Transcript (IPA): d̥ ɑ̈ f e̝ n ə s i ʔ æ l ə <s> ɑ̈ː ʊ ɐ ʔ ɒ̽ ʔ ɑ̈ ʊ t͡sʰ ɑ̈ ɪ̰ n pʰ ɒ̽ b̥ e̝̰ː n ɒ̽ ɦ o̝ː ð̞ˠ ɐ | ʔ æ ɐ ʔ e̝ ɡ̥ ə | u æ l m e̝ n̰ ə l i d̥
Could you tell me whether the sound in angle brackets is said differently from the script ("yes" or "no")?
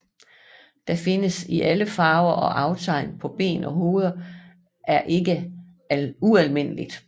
yes